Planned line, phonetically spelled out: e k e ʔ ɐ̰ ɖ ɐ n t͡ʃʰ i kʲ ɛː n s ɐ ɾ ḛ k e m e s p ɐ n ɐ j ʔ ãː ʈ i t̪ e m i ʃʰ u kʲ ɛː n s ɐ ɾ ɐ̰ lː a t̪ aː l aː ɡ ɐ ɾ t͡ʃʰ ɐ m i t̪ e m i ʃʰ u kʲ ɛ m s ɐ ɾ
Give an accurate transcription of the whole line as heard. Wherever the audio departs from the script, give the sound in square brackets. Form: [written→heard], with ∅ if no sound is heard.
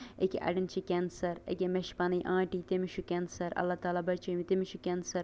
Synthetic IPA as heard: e k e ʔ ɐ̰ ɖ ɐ n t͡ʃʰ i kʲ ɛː n s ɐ ɾ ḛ k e m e [s→ʃ] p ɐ n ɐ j ʔ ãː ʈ i t̪ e m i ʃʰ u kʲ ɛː n s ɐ ɾ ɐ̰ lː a t̪ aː l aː [ɡ→b] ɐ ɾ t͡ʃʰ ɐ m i t̪ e m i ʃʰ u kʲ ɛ [m→n] s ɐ ɾ